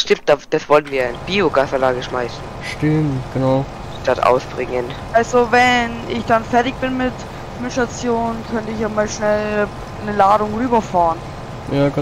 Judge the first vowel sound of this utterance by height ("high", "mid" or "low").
high